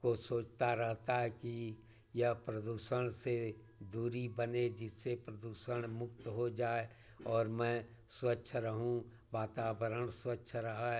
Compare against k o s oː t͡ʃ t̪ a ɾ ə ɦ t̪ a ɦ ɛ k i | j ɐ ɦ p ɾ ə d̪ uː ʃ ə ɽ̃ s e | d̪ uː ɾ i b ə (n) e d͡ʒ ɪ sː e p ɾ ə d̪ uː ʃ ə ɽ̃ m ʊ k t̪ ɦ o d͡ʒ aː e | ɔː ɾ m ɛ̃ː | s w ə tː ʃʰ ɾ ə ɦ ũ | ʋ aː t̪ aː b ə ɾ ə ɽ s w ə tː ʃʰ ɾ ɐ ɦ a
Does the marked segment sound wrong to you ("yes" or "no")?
no